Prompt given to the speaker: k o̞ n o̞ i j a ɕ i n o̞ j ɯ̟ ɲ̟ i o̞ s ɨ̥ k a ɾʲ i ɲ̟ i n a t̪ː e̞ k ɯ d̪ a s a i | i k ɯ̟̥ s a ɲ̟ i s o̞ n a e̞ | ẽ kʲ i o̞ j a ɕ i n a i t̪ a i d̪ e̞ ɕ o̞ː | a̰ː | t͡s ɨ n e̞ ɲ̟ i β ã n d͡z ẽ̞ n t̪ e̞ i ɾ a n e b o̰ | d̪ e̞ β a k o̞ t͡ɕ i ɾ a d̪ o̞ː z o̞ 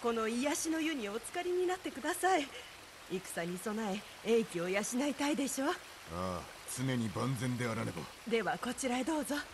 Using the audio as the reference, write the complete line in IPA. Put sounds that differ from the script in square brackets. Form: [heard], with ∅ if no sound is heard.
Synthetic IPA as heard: k o̞ n o̞ i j a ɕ i n o̞ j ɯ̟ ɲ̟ i o̞ [t͡s] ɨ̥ k a ɾʲ i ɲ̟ i n a t̪ː e̞ k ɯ d̪ a s a i | i k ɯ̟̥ s a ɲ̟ i s o̞ n a e̞ | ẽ kʲ i o̞ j a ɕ i n a i t̪ a i d̪ e̞ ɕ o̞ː | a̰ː | t͡s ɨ n e̞ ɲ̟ i [b] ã n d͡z ẽ̞ n [d̪] e̞ [a] ɾ a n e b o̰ | d̪ e̞ β a k o̞ t͡ɕ i ɾ a d̪ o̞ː z o̞